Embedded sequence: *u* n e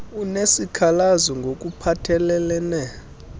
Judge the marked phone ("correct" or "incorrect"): correct